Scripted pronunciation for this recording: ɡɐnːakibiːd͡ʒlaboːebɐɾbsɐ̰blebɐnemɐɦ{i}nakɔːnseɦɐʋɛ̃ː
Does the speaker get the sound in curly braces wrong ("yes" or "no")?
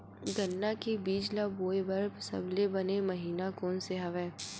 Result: yes